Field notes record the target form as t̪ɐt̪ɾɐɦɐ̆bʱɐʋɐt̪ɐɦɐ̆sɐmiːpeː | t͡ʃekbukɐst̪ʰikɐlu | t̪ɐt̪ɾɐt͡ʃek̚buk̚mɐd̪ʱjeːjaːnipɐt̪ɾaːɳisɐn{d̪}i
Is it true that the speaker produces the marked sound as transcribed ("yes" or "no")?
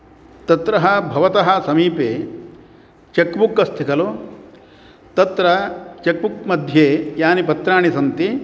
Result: no